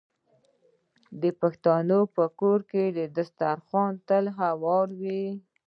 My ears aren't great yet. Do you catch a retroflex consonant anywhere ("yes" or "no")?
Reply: no